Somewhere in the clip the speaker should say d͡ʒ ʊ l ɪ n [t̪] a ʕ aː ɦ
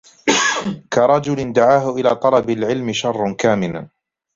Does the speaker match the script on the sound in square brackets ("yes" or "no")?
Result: no